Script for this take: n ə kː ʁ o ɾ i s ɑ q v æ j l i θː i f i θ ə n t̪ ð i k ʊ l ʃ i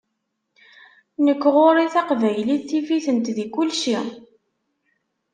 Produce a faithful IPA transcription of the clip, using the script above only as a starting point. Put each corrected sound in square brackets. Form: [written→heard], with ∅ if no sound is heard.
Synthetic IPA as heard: n ə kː ʁ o ɾ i [s→θ] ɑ q v æ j l i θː i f i θ ə n t̪ ð i k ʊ l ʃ i